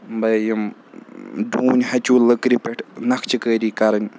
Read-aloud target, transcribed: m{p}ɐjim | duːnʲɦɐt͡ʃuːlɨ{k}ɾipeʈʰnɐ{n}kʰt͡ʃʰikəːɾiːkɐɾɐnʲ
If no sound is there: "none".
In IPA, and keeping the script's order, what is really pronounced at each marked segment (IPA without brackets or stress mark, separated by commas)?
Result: b, k, none